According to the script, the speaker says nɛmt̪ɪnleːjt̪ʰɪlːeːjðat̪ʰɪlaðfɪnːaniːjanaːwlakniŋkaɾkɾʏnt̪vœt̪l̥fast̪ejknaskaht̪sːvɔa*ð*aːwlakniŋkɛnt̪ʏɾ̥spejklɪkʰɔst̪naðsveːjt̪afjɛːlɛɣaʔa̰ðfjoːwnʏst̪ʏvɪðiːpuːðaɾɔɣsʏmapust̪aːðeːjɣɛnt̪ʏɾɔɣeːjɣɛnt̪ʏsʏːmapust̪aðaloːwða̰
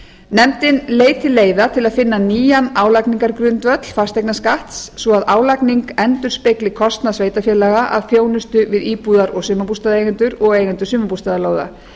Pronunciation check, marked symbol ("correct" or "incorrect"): correct